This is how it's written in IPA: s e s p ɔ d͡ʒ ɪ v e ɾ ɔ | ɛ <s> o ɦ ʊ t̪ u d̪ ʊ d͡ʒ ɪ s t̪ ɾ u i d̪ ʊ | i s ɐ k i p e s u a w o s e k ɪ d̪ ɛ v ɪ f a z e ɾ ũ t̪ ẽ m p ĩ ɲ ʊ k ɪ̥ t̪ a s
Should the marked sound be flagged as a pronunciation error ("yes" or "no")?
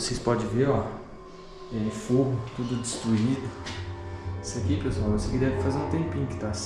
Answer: yes